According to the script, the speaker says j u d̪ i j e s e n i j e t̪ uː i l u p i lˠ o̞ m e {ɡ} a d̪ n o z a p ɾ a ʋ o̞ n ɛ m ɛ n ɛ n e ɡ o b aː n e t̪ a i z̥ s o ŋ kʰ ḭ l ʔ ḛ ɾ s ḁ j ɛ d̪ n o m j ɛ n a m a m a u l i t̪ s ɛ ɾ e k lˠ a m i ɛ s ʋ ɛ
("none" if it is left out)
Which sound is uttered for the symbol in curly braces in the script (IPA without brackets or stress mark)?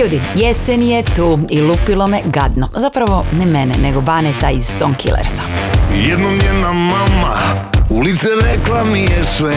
ɡ